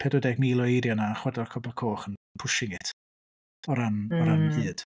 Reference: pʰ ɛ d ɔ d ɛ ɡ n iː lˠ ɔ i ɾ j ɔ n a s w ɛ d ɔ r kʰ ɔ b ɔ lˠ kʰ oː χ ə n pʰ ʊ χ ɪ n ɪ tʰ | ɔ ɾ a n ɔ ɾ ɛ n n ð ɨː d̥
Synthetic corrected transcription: pʰ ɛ d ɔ d ɛ ɡ m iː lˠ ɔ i ɾ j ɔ n a χ w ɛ d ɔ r kʰ ɔ b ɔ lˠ kʰ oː χ ə n pʰ ʊ ʃ ɪ ŋ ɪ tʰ | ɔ ɾ a n ɔ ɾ a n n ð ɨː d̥